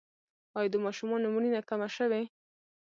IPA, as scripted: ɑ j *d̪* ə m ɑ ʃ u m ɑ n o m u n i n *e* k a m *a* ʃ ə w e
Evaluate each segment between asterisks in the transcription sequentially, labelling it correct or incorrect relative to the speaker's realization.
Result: correct, incorrect: a, correct

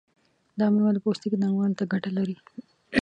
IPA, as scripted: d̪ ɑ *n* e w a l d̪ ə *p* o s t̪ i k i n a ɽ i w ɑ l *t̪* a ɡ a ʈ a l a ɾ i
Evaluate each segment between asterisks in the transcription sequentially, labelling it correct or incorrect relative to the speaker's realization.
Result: incorrect: m, correct, correct

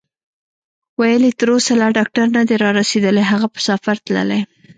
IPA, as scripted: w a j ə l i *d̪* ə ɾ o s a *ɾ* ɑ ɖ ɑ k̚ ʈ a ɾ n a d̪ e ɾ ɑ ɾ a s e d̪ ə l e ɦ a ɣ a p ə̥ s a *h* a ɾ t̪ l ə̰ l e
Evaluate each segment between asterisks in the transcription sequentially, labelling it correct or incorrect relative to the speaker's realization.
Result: incorrect: t̪, incorrect: l, incorrect: f

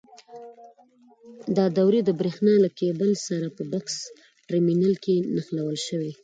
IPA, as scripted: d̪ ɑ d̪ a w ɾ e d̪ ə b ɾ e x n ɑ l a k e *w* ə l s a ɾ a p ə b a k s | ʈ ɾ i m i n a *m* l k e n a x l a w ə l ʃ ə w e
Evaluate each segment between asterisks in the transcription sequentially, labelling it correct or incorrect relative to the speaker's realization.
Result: incorrect: b, incorrect: none

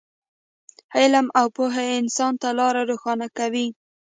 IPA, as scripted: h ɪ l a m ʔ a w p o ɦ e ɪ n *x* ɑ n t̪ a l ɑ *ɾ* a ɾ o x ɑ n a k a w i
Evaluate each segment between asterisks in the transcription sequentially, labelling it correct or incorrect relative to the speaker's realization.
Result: incorrect: s, correct

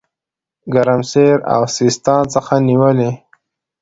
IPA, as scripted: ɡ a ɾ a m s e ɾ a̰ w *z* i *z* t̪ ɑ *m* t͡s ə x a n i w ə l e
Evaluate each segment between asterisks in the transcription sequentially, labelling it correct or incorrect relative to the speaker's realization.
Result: incorrect: s, incorrect: s, incorrect: n

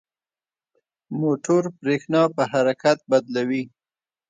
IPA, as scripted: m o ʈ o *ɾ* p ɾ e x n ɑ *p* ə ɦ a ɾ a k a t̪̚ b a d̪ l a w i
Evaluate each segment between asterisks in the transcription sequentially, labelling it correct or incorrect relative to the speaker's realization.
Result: correct, correct

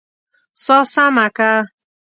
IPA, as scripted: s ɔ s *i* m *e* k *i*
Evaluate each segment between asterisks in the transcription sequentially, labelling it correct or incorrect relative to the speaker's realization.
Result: incorrect: a, incorrect: a, incorrect: a

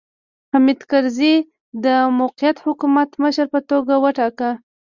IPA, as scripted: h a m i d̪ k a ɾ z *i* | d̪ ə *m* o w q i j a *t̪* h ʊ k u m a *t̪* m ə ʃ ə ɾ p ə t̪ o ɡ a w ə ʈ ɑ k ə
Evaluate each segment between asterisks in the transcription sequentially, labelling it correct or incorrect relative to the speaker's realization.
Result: correct, correct, correct, correct

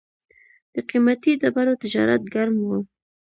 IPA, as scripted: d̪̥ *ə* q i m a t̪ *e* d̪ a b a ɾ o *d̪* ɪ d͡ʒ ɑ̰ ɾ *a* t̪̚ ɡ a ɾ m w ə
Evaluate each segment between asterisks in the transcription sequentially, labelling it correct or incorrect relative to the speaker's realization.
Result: correct, incorrect: i, incorrect: t̪, correct

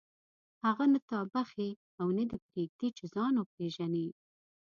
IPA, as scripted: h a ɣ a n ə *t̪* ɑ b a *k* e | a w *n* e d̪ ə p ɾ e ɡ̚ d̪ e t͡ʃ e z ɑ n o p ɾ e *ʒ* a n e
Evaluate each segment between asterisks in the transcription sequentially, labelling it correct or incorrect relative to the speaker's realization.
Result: correct, incorrect: x, correct, correct

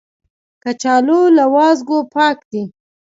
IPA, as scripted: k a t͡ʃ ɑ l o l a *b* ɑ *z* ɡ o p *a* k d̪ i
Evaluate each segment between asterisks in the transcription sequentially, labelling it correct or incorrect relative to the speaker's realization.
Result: incorrect: w, correct, incorrect: ɑ

